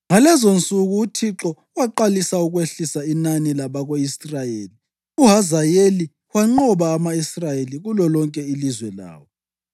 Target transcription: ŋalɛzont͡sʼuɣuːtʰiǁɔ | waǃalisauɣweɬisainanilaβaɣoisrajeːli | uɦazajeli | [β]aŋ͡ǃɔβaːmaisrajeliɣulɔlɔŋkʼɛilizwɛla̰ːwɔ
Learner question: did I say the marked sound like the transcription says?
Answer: no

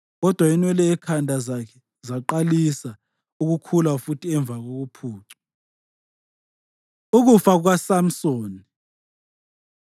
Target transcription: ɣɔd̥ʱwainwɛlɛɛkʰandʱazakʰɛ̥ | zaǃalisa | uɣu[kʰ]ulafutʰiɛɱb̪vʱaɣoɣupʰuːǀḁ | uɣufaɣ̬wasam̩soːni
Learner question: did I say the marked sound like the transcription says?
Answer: yes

